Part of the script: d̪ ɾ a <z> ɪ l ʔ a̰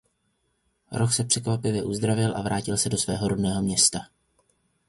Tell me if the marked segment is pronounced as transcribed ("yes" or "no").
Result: no